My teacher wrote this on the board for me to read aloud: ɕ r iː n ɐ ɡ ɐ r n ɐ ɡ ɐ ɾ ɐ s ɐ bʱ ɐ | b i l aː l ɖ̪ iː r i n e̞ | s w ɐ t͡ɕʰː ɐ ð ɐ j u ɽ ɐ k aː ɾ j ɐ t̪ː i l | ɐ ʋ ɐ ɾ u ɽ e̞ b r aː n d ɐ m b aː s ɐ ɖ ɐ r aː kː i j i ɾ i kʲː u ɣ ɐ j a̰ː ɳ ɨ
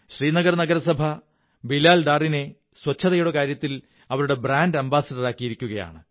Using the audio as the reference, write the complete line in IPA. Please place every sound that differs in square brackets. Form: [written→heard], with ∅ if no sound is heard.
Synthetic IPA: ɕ r iː n ɐ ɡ ɐ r n ɐ ɡ ɐ ɾ ɐ s ɐ bʱ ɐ | b i l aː l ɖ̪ [iː→aː] r i n e̞ | s w ɐ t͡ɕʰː ɐ ð ɐ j u ɽ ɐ k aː ɾ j ɐ t̪ː i l | ɐ ʋ ɐ ɾ u ɽ e̞ b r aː n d ɐ m b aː s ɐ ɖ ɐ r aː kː i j i ɾ i kʲː u ɣ ɐ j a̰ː ɳ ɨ